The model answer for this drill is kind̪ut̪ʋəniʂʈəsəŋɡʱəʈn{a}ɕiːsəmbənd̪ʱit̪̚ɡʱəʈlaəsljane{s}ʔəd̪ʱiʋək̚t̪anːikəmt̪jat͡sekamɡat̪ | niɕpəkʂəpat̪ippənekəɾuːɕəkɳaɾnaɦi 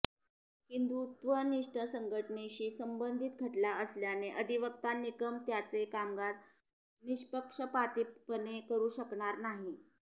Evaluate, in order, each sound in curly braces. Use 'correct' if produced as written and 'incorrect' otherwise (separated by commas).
incorrect, incorrect